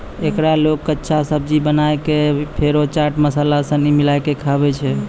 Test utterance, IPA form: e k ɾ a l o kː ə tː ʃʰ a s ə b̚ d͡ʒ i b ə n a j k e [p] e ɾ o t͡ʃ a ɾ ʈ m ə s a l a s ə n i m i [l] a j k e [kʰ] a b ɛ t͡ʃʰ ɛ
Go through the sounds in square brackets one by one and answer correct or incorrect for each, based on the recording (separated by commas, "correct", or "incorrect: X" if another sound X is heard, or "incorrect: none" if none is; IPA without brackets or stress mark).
incorrect: pʰ, correct, correct